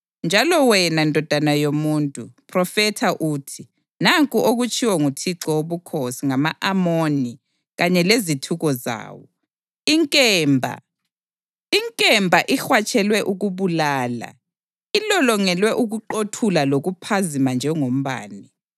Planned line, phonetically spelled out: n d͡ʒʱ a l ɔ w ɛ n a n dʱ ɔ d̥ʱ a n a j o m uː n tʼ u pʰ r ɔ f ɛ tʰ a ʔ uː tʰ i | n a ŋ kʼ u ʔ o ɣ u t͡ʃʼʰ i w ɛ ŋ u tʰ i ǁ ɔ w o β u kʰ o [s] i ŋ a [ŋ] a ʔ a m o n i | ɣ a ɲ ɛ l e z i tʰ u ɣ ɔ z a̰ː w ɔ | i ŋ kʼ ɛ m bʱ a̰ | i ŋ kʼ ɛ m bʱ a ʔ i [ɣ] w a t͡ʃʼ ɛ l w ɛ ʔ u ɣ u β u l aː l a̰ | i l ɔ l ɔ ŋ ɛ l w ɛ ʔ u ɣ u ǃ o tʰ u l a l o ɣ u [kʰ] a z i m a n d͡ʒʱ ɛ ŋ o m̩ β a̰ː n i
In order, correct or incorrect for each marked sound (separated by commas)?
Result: correct, incorrect, incorrect, incorrect